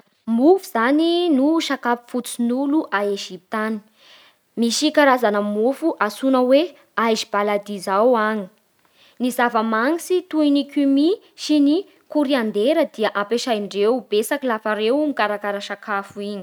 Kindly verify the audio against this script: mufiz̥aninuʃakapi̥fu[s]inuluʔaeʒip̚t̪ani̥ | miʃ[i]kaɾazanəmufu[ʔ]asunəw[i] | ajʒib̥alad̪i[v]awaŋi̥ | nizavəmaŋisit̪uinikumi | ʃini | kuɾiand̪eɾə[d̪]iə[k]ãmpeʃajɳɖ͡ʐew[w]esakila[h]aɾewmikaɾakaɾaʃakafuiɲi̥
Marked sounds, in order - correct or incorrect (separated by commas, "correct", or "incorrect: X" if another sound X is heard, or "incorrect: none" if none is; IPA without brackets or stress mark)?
incorrect: t͡s, correct, correct, incorrect: e, incorrect: z, correct, incorrect: ʔ, incorrect: b, incorrect: f